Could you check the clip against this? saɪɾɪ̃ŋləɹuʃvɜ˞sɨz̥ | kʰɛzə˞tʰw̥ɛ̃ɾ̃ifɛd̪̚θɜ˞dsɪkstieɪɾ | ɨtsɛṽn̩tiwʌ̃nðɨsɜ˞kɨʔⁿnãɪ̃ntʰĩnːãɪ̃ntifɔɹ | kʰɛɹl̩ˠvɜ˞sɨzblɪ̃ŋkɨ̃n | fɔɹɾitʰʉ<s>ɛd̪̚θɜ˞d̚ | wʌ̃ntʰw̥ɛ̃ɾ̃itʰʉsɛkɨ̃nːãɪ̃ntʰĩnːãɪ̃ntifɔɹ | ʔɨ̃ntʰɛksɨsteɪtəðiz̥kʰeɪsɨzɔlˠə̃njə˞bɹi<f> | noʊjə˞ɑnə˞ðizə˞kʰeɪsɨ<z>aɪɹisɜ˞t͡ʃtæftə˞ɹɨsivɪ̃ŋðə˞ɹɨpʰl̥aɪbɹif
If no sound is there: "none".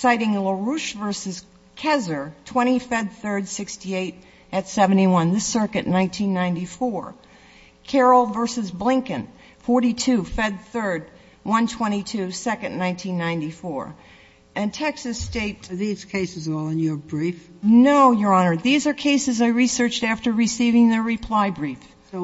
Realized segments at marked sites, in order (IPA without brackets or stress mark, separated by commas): f, f, z